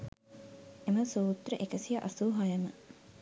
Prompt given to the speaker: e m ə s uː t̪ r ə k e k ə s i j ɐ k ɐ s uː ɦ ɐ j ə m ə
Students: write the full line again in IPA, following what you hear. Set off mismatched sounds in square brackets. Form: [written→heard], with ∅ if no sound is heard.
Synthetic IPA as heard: e m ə s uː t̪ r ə [k→ʔ] e k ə s i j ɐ [k→ʔ] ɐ s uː ɦ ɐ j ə m ə